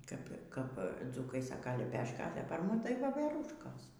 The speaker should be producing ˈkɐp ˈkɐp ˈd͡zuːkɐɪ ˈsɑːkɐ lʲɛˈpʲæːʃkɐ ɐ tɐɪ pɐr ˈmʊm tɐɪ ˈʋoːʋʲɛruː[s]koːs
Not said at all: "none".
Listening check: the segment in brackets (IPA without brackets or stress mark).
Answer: ʃ